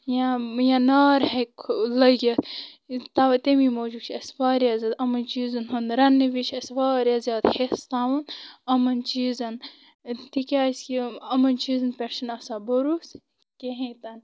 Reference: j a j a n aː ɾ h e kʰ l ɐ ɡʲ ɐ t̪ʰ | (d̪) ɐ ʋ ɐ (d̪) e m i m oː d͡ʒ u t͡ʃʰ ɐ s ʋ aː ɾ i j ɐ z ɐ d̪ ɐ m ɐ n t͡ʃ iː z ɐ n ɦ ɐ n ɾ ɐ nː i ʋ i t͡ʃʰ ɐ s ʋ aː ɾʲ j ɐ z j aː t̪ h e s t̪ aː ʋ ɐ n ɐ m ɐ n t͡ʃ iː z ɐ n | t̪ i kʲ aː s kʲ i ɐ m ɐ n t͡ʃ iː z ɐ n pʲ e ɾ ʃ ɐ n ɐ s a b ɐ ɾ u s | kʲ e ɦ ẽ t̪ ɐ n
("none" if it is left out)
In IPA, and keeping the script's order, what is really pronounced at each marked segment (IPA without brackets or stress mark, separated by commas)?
t̪, t̪